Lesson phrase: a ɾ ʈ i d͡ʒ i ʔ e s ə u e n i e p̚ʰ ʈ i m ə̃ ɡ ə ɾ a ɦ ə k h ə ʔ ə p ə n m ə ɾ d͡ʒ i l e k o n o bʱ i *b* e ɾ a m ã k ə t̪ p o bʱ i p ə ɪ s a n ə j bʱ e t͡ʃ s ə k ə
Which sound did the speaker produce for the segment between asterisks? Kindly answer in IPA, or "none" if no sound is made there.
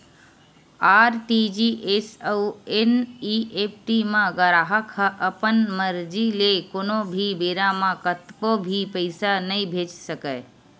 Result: b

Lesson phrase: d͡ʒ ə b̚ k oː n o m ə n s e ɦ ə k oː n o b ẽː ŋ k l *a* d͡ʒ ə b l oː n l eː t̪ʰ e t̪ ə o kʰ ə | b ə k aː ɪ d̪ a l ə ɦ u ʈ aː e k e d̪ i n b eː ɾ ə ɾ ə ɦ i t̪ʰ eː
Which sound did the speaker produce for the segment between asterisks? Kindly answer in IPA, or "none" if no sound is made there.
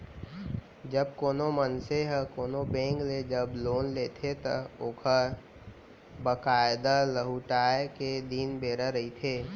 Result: e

